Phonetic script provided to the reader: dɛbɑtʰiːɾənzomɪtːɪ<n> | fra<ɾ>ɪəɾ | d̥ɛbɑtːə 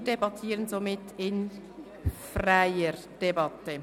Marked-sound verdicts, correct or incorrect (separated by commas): correct, incorrect